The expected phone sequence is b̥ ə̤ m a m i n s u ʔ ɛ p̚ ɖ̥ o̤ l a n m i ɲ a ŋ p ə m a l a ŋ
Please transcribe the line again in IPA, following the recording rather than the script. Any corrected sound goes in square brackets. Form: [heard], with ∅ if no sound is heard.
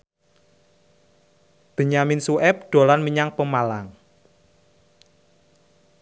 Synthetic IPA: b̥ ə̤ [ɲ] a m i n s u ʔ ɛ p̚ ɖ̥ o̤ l a n m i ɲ a ŋ p ə m a l a ŋ